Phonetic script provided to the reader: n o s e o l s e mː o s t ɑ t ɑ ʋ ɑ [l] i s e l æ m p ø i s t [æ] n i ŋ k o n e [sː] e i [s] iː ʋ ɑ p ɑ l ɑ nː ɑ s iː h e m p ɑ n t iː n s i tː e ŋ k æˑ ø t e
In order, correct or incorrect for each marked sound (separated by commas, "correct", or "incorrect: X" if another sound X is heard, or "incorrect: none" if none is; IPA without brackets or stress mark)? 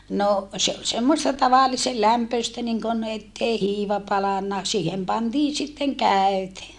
incorrect: lː, correct, incorrect: tː, incorrect: h